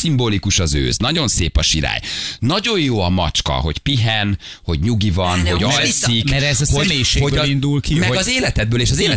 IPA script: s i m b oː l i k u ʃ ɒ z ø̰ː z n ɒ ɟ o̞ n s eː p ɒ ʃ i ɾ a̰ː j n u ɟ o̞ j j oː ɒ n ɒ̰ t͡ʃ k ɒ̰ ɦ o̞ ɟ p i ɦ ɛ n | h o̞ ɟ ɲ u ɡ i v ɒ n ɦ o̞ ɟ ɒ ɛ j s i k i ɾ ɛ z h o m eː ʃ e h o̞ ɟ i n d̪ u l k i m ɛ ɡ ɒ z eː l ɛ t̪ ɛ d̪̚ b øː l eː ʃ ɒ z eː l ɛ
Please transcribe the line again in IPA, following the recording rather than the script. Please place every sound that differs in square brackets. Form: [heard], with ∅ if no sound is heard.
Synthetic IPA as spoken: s i m b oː l i k u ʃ ɒ z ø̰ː z n ɒ ɟ o̞ n s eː p ɒ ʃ i ɾ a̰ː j n [ɒ] ɟ o̞ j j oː ɒ [m] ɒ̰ t͡ʃ k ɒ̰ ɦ o̞ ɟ p i ɦ ɛ n | h o̞ ɟ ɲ u ɡ i v ɒ n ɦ o̞ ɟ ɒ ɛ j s i k [ɛ] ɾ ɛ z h o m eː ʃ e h o̞ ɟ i n d̪ u l k i m ɛ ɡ ɒ z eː l ɛ t̪ ɛ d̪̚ b øː l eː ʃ ɒ z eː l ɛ